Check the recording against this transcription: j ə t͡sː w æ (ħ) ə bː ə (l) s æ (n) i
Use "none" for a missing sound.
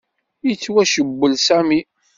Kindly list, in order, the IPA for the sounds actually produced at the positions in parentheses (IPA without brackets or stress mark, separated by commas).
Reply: ʃ, l, m